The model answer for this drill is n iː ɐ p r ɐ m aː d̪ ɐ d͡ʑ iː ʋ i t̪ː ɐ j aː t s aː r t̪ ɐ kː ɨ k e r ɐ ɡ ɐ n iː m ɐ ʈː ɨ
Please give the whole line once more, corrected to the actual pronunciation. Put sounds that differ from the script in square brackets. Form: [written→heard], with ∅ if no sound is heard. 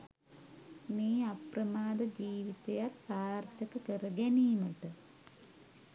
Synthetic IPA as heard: n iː ɐ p r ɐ m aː d̪ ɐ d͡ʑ iː ʋ i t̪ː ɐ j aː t s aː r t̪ ɐ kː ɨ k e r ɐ ɡ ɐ n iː m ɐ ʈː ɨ

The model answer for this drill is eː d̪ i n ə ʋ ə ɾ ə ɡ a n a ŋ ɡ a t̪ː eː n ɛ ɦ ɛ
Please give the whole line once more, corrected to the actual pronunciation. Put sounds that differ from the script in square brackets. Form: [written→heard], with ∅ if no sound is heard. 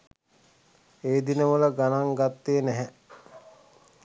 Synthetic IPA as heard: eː d̪ i n ə ʋ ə [ɾ→l] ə ɡ a n a ŋ ɡ a t̪ː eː n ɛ ɦ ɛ

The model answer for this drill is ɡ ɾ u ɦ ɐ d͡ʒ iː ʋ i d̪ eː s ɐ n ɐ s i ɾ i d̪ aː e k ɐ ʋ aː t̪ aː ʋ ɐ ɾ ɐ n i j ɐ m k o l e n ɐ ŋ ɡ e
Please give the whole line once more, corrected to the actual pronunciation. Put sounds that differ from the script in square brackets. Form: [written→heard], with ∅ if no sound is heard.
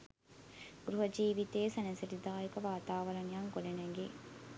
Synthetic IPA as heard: ɡ ɾ u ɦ ɐ d͡ʒ iː ʋ i [d̪→t̪] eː s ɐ n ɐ s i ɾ i d̪ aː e k ɐ ʋ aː t̪ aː ʋ ɐ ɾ ɐ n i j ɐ [m→ŋ] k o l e n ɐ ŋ ɡ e

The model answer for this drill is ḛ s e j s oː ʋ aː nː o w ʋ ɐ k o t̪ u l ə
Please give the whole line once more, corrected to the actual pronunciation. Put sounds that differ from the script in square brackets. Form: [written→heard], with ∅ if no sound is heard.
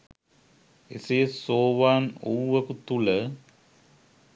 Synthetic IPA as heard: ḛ s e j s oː ʋ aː [nː→n] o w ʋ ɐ k [o→u] t̪ u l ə

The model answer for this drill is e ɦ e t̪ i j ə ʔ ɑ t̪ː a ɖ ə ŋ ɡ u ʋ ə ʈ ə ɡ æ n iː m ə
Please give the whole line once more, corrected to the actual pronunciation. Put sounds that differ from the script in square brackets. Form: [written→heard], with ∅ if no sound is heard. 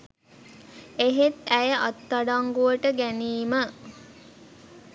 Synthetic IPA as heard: e ɦ e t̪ [i→æ] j ə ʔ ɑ t̪ː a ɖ [ə→a] ŋ ɡ u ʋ ə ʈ ə ɡ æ n iː m ə

